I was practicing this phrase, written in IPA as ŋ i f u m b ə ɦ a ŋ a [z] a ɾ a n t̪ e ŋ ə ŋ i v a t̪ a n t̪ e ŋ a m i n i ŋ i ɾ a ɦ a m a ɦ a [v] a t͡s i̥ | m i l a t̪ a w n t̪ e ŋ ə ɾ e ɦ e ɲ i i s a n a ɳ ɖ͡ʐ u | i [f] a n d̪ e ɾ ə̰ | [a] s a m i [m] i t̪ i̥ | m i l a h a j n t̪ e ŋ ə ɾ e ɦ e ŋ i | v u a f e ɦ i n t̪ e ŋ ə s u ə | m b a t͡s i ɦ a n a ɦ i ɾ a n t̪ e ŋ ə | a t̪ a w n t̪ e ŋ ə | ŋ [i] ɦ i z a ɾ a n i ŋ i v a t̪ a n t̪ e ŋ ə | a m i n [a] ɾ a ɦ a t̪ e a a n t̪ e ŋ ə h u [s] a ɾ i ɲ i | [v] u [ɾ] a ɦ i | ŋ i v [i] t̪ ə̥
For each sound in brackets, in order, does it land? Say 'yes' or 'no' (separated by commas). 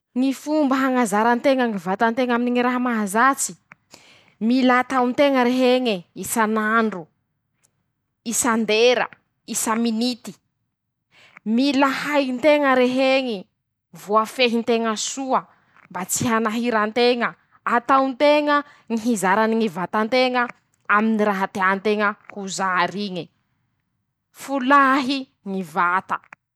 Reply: yes, no, no, no, no, yes, no, no, no, no, no